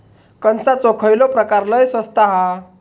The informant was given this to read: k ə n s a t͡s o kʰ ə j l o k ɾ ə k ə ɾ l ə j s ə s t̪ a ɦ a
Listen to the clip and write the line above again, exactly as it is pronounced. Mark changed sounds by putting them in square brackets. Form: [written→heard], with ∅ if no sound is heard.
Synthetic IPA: k ə n s a t͡s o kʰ ə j l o [k→p] ɾ ə k [ə→a] ɾ l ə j s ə s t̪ a ɦ a